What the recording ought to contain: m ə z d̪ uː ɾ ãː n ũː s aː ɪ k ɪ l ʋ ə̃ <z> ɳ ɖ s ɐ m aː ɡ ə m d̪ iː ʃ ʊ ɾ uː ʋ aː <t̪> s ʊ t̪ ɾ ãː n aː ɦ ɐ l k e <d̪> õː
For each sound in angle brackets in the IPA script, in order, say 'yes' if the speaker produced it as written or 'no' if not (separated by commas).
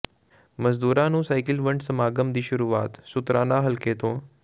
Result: no, yes, no